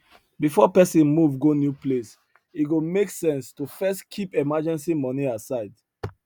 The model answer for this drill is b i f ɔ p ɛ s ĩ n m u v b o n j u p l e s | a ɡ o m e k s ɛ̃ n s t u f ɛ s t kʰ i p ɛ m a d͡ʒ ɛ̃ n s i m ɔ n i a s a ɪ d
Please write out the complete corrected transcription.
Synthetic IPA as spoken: b i f ɔ p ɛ s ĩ n m u v ɡ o n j u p l e s | i ɡ o m e k s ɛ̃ n s t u f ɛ s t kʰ i p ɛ m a d͡ʒ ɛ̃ n s i m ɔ n i a s a ɪ d